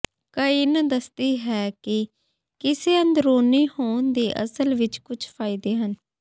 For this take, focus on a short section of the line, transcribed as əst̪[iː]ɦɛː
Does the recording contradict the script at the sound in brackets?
no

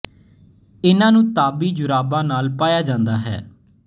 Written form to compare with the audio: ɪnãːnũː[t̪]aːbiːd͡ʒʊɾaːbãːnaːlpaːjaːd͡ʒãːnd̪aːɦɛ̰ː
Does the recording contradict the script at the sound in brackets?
no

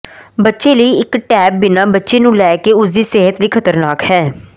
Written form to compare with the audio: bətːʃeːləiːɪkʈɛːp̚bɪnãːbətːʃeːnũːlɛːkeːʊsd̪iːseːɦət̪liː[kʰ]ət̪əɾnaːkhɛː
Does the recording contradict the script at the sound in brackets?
no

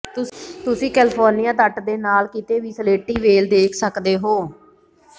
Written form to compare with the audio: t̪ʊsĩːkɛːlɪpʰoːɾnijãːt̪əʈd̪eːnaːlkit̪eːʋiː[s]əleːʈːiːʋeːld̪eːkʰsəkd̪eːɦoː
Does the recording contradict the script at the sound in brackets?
no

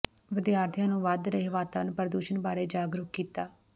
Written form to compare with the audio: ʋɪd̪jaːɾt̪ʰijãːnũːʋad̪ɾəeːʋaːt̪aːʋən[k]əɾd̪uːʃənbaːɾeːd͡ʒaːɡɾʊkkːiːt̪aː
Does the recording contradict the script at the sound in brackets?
yes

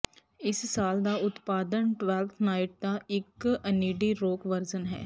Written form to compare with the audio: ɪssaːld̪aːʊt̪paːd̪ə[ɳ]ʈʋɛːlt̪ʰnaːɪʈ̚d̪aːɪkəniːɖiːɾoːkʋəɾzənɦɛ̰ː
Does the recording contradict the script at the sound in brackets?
yes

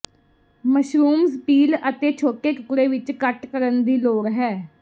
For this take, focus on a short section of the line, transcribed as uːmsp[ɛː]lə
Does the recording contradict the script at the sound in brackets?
yes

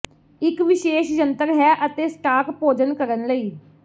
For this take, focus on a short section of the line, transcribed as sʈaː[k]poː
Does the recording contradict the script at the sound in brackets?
no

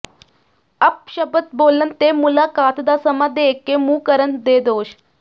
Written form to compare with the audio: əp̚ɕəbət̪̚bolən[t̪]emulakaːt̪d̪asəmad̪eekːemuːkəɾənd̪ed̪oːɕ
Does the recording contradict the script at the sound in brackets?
no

